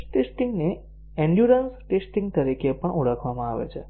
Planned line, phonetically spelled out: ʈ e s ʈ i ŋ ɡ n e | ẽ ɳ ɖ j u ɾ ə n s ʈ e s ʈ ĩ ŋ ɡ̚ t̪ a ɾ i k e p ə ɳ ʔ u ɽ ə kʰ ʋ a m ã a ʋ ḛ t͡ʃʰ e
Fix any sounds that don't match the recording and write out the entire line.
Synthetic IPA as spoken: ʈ e s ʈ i ŋ ɡ n e | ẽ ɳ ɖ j u ɾ ə n s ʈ e s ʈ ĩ ŋ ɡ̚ t̪ ə ɾ i k e p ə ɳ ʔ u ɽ ə kʰ ʋ a m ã a ʋ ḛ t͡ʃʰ e